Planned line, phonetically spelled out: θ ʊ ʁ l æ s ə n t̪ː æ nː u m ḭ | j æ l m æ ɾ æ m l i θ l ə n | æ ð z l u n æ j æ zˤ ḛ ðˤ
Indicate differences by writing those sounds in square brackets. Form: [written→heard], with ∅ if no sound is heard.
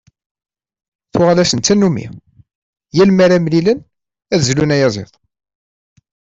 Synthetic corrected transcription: θ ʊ ʁ l æ s ə n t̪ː æ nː u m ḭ | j æ l m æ ɾ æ m l i [θ→∅] l ə n | æ ð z l u n æ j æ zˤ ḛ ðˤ